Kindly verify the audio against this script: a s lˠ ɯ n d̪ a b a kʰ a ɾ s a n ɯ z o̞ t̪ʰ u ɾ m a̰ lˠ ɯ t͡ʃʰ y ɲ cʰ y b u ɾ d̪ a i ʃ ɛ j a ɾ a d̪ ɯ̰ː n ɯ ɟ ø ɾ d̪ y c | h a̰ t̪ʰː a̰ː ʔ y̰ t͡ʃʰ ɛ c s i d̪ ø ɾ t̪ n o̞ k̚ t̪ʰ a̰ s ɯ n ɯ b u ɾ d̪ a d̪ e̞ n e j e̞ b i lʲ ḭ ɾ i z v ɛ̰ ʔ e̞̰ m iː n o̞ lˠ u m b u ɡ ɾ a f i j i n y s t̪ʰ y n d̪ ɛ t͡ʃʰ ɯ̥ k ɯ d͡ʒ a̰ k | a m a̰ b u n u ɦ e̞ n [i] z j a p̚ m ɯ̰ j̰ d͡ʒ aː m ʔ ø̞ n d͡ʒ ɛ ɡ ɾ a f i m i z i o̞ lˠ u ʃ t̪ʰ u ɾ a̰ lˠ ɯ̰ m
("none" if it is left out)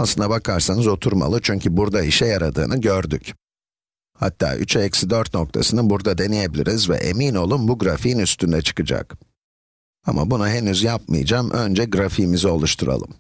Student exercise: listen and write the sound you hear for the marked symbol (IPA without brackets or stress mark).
y